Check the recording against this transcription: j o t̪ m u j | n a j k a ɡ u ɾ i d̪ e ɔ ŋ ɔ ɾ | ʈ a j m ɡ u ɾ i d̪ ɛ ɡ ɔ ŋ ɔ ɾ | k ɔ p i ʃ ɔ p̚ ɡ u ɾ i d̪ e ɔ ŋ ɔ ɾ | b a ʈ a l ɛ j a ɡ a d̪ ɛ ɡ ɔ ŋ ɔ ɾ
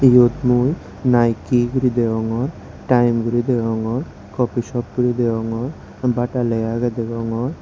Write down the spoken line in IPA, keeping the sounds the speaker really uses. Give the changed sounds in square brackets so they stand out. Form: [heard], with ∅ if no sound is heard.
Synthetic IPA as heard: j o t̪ m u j | n a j k [i] ɡ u ɾ i d̪ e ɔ ŋ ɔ ɾ | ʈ a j m ɡ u ɾ i d̪ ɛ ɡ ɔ ŋ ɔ ɾ | k ɔ p i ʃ ɔ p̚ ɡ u ɾ i d̪ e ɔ ŋ ɔ ɾ | b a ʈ a l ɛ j a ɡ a d̪ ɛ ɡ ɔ ŋ ɔ ɾ